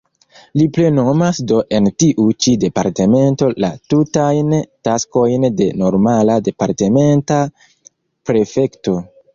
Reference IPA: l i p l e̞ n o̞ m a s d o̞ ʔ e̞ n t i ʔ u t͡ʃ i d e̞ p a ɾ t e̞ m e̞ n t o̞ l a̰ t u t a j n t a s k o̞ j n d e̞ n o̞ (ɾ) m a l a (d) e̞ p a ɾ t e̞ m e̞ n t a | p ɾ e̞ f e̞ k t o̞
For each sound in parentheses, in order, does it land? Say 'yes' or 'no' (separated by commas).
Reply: yes, yes